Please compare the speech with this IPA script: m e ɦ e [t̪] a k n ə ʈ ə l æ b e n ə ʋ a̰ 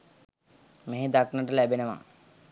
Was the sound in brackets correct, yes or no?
no